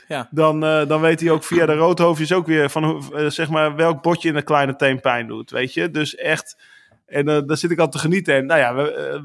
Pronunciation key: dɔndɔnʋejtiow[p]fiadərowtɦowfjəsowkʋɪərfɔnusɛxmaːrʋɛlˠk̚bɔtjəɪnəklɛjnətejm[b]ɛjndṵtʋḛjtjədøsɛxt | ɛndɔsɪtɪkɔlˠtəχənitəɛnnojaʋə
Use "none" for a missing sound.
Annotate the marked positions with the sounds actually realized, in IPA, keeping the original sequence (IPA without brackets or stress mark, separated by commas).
k, p